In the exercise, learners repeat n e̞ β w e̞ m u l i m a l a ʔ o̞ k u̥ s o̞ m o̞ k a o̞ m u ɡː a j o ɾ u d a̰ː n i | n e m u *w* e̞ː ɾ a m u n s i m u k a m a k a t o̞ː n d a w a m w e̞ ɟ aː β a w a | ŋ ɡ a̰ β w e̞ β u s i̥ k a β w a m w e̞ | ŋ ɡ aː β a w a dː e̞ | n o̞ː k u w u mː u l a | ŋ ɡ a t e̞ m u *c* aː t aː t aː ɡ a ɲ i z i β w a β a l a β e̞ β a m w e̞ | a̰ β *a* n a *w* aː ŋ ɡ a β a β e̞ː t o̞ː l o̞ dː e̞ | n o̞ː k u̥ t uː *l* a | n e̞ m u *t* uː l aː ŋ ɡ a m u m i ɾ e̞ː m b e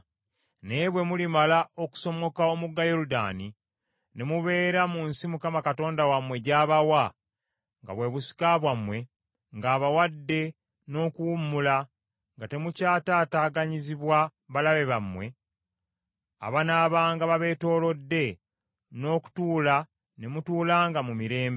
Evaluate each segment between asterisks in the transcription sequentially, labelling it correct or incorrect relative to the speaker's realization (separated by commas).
incorrect, correct, correct, incorrect, correct, correct